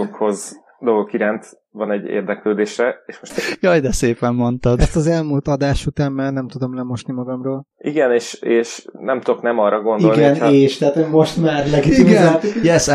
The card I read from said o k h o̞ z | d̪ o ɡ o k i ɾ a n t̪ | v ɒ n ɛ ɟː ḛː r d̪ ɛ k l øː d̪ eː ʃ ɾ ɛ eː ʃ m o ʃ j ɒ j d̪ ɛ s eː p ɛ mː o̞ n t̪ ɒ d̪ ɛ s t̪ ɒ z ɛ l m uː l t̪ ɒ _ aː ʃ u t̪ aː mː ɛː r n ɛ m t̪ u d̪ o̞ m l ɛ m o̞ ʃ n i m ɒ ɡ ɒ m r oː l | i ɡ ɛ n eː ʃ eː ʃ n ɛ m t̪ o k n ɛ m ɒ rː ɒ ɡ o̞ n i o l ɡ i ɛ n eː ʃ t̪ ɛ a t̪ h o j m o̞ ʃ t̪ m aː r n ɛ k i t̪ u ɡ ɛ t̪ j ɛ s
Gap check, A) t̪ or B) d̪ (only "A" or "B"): B